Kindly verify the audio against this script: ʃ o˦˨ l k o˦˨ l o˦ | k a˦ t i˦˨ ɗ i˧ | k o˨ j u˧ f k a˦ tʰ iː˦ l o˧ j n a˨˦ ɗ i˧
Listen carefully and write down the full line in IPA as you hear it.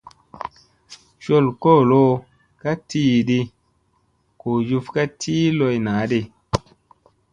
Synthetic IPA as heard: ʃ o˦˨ l k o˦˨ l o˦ | k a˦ t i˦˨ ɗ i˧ | k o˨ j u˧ f k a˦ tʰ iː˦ l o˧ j n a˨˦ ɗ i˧

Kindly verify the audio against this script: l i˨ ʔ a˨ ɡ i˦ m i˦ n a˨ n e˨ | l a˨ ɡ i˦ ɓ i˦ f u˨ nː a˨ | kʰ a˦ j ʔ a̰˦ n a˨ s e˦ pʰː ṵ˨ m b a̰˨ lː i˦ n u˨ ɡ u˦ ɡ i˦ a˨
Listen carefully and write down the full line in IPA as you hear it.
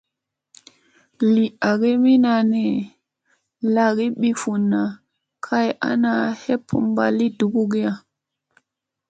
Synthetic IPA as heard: l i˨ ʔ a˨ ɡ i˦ m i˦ n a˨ n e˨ | l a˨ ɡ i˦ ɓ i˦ f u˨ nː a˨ | kʰ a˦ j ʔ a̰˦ n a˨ h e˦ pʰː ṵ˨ m b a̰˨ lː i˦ d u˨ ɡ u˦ ɡ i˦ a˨

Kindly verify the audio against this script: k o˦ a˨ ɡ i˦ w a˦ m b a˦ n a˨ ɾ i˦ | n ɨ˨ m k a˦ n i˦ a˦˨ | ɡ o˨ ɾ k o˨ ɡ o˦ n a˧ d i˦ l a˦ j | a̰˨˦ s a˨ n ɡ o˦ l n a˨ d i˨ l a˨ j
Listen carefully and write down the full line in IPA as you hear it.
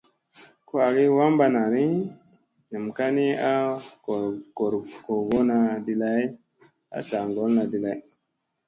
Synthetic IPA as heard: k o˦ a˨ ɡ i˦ w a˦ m b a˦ n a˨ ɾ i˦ | n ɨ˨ m k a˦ n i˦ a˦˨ | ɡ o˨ ɾ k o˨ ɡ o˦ n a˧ d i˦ l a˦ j | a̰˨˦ s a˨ ŋ ɡ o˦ l n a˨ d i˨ l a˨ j

